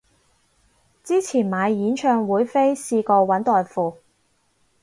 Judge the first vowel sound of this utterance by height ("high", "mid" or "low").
high